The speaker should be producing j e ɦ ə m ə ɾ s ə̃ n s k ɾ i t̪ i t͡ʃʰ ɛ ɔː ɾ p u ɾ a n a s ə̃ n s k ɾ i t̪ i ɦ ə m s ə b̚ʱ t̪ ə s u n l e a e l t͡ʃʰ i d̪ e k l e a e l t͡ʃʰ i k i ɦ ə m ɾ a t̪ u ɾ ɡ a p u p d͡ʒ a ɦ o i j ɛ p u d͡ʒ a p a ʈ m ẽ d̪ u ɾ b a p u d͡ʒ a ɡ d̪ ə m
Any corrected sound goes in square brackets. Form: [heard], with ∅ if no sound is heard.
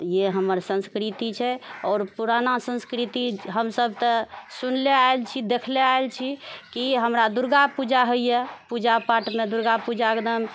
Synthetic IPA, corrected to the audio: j e ɦ ə m ə ɾ s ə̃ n s k ɾ i t̪ i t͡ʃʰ ɛ ɔː ɾ p u ɾ a n a s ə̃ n s k ɾ i t̪ i ɦ ə m s ə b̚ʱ t̪ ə s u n l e a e l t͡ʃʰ i d̪ e [kʰ] l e a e l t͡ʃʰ i k i ɦ ə m ɾ a [d̪] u ɾ ɡ a p u [∅] d͡ʒ a ɦ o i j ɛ p u d͡ʒ a p a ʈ m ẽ d̪ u ɾ [ɡ] a p u d͡ʒ a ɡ d̪ ə m